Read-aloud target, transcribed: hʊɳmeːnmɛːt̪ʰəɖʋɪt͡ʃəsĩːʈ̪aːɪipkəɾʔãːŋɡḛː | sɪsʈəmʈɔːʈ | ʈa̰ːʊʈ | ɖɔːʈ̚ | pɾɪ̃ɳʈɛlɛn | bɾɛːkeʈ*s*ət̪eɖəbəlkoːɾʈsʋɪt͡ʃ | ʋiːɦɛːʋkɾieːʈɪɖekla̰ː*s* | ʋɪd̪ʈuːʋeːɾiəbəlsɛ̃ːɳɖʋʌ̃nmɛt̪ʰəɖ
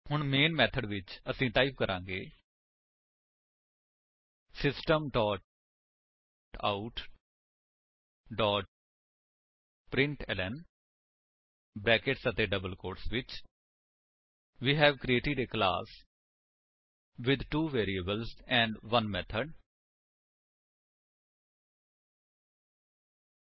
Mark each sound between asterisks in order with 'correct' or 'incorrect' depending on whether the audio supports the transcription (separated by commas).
correct, correct